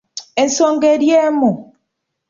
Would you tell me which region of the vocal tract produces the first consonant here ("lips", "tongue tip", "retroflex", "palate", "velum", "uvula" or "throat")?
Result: tongue tip